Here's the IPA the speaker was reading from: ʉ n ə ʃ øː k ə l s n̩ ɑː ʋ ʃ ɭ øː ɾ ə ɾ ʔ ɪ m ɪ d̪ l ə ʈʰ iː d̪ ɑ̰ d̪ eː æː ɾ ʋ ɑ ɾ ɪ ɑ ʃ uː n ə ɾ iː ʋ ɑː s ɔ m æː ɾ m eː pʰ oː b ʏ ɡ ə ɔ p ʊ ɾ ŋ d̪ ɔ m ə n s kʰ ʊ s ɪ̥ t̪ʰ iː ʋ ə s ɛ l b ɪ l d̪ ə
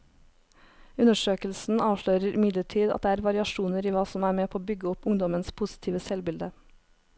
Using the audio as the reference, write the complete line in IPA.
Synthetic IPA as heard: ʉ n ə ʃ øː k ə l s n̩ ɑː ʋ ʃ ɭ øː ɾ ə ɾ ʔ ɪ m ɪ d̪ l ə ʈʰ iː d̪ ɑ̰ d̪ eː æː ɾ ʋ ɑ ɾ ɪ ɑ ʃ uː n ə ɾ iː ʋ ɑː s ɔ m æː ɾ m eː pʰ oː b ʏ ɡ ə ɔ p ʊ ŋ d̪ ɔ m ə n s pʰ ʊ s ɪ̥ t̪ʰ iː ʋ ə s ɛ l b ɪ l d̪ ə